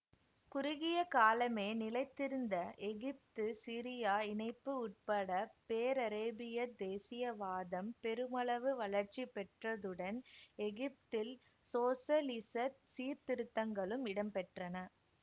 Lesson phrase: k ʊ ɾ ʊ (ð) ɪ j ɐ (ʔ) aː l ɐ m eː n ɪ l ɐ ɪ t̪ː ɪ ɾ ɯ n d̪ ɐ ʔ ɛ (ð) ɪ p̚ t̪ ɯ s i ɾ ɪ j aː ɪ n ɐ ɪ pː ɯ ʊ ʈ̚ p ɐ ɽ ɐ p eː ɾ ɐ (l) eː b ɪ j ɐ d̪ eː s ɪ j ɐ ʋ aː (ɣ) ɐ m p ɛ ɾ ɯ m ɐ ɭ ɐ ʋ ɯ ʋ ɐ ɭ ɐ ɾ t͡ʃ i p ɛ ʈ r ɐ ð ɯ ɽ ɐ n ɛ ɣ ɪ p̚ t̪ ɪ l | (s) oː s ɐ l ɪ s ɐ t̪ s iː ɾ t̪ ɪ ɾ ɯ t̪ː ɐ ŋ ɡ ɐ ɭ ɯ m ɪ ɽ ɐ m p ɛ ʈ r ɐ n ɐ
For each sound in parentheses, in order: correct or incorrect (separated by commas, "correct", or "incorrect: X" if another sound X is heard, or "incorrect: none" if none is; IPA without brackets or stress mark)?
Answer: incorrect: ɣ, incorrect: k, incorrect: ɣ, incorrect: ɾ, incorrect: ð, correct